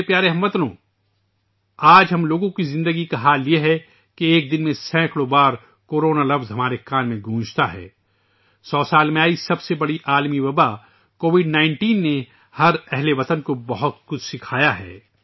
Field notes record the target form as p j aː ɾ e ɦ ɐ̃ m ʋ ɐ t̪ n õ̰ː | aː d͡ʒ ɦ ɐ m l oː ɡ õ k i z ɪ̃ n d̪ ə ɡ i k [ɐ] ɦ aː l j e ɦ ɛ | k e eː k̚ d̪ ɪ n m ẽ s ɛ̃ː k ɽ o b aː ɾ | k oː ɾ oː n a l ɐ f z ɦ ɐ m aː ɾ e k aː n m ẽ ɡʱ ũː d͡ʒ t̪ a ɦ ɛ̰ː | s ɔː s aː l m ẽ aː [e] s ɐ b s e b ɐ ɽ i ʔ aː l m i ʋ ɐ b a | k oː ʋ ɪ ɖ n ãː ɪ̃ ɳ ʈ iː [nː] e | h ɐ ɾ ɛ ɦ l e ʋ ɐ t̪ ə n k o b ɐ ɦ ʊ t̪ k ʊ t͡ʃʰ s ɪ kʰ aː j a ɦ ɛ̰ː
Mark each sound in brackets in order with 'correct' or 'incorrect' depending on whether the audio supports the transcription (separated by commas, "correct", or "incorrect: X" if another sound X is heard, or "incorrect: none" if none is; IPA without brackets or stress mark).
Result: incorrect: a, incorrect: i, correct